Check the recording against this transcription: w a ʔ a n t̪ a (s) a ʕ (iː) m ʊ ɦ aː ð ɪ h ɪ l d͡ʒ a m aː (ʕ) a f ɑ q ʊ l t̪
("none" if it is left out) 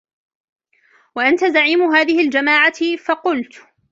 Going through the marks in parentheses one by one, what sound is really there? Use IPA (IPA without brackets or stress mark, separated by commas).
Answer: z, iː, ʕ